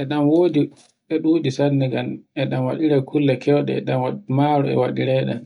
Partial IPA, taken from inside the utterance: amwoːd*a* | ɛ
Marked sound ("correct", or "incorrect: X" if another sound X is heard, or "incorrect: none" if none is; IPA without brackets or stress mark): incorrect: i